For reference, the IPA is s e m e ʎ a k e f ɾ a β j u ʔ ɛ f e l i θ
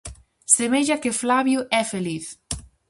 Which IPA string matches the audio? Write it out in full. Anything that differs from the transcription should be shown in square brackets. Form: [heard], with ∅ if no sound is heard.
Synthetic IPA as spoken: s e m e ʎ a k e f [l] a β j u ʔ ɛ f e l i θ